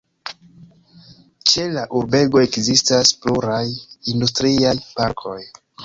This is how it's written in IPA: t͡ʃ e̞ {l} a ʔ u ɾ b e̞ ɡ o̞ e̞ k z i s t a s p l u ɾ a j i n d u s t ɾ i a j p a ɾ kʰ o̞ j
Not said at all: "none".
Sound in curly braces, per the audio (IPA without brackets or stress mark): l